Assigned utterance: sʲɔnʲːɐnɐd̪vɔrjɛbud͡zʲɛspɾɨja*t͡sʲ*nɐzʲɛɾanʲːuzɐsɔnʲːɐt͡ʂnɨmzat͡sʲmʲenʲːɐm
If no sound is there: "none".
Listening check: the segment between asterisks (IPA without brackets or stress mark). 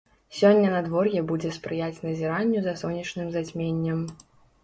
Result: t͡sʲ